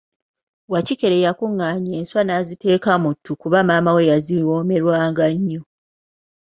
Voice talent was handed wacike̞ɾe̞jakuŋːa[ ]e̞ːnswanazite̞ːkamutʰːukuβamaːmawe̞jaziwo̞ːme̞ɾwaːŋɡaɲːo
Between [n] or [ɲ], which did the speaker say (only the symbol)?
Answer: ɲ